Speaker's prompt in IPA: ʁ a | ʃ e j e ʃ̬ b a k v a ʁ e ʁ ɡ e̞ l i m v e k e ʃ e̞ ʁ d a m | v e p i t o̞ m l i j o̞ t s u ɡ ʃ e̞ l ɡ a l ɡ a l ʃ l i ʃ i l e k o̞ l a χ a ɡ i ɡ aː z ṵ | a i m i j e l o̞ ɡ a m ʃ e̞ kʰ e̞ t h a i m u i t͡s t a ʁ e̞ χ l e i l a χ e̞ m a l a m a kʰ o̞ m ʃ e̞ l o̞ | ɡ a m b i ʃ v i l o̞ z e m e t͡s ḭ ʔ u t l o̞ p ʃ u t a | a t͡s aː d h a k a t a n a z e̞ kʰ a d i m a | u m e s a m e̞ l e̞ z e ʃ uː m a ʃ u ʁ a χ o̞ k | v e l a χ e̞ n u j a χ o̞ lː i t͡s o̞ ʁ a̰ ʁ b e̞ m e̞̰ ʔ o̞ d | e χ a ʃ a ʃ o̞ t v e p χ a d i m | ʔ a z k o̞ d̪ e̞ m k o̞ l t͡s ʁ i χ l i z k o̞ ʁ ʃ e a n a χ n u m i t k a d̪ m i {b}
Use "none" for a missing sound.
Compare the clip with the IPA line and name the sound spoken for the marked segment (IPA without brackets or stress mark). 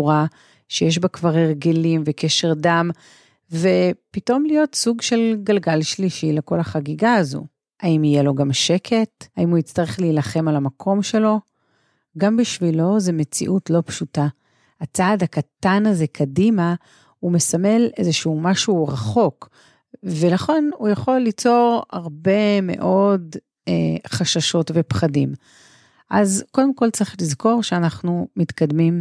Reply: m